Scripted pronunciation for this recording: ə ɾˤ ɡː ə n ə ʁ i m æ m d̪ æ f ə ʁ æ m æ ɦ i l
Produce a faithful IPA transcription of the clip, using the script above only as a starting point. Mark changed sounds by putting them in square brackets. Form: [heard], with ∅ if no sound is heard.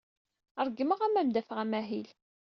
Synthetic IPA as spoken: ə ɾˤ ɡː ə [m] ə ʁ [æ] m æ m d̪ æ f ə ʁ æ m æ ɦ i l